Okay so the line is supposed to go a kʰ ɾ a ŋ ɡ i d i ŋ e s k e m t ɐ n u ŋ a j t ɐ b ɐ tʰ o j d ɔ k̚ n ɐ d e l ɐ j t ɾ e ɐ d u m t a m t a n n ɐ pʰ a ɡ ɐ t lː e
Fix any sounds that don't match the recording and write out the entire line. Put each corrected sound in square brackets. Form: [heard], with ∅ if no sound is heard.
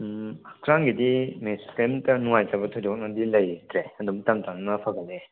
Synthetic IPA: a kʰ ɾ a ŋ ɡ i d i [m] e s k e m t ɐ n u ŋ a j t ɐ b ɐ tʰ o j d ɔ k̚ n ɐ d [i] l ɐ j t ɾ e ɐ d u m t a m t a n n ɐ pʰ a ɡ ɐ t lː e